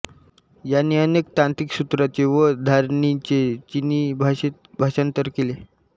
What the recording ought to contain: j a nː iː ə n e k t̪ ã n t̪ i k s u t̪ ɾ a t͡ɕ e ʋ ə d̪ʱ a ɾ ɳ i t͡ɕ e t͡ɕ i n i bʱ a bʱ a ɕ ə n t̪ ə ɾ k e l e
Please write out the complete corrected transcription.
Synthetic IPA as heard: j a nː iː ə n e k t̪ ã n t̪ i k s u t̪ ɾ a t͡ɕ e ʋ ə d̪ʱ a ɾ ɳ i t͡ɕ e t͡ɕ i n i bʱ a bʱ a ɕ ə n t̪ ə ɾ k e l e